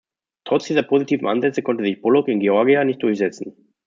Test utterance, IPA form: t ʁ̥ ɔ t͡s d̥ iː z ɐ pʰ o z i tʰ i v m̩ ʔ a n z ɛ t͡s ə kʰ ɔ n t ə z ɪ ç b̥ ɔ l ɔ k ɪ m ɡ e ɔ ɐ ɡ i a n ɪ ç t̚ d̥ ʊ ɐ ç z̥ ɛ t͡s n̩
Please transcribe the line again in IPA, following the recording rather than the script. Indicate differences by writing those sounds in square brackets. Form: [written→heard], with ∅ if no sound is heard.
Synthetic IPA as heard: t ʁ̥ ɔ t͡s d̥ iː z ɐ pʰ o z i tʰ [i→iː] v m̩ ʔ a n z ɛ t͡s ə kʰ ɔ n t ə z ɪ ç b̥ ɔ l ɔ k ɪ [m→n] ɡ e ɔ ɐ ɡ i a n ɪ ç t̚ d̥ ʊ ɐ ç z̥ ɛ t͡s n̩